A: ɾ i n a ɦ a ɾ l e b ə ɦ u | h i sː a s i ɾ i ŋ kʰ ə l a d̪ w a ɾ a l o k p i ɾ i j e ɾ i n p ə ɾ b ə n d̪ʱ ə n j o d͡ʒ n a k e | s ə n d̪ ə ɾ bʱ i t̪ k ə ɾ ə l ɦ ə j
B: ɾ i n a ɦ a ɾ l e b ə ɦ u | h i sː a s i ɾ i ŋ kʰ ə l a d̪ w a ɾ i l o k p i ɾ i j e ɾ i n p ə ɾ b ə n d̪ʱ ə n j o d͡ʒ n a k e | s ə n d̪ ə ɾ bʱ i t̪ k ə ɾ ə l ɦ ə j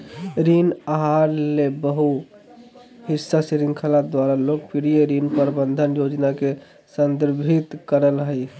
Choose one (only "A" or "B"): A